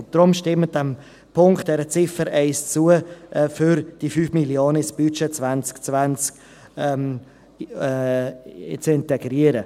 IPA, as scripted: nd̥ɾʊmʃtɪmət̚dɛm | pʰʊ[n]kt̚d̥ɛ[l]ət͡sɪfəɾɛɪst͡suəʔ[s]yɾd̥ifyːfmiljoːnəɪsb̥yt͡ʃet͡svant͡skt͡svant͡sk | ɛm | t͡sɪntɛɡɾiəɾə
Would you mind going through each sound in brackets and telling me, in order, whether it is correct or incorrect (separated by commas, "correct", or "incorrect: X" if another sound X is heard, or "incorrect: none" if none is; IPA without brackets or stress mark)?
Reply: incorrect: ŋ, incorrect: ɾ, incorrect: f